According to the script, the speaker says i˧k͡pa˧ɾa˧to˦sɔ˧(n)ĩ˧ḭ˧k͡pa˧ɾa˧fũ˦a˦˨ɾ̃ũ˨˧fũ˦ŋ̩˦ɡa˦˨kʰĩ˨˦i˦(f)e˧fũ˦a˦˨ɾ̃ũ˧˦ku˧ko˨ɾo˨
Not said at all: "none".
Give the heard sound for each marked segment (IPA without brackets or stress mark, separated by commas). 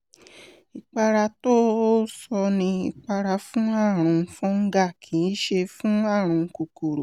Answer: n, ʃ